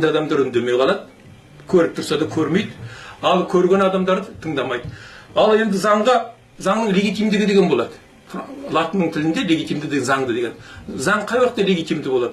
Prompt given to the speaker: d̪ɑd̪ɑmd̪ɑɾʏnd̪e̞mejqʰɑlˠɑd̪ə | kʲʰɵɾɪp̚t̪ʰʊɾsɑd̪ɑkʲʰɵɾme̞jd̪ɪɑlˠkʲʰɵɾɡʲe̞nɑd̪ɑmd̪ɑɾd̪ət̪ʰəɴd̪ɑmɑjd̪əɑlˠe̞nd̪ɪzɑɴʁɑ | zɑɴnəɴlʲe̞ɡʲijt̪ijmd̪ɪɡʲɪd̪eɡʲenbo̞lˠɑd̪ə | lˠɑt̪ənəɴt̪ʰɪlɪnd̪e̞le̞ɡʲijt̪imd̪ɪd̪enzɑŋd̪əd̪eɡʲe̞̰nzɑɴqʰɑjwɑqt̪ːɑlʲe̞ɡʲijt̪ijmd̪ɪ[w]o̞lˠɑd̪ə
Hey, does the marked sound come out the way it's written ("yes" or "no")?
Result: no